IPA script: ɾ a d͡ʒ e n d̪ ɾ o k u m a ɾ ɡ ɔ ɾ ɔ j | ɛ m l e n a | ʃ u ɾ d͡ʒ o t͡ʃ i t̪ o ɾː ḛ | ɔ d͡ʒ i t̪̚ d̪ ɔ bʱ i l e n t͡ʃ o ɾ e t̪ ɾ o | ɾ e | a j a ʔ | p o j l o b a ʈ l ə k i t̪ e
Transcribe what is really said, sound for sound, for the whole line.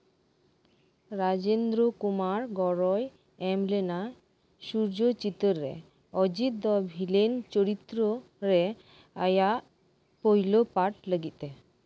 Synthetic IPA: ɾ a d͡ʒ e n d̪ ɾ o k u m a ɾ ɡ ɔ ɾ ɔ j | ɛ m l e n a | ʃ u ɾ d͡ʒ o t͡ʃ i t̪ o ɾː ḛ | ɔ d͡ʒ i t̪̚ d̪ ɔ bʱ i l e n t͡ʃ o ɾ i t̪ ɾ o | ɾ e | a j a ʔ | p o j l o p a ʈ l ə ɡ i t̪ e